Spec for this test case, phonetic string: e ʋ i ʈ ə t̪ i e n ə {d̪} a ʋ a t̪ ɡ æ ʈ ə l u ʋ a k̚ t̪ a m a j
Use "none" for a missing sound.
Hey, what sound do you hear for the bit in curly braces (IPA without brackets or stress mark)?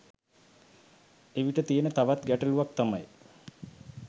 t̪